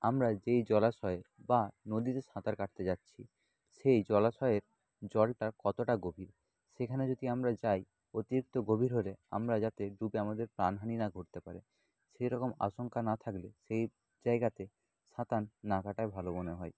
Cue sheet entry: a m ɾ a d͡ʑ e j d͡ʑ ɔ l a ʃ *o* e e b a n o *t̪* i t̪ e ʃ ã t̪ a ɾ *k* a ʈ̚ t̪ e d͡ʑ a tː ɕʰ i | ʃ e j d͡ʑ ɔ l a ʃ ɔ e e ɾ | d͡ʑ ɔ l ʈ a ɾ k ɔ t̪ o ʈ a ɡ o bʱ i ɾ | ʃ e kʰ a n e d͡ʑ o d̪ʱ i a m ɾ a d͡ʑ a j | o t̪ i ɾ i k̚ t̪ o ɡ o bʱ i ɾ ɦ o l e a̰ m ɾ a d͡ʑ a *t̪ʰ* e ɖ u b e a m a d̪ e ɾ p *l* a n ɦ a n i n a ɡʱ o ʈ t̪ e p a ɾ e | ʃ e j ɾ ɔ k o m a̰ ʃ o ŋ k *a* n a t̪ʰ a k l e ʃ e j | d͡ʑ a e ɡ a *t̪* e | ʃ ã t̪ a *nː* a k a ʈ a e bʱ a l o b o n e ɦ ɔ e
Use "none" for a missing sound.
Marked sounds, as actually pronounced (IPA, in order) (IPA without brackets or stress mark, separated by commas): ɔ, d̪, k, t̪, ɾ, a, t̪, nː